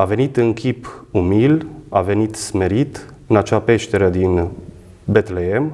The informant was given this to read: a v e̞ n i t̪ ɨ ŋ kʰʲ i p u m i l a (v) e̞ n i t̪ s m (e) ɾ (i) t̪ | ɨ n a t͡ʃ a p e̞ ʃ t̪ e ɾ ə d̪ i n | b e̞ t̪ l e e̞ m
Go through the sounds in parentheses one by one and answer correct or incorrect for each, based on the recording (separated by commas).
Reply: correct, correct, correct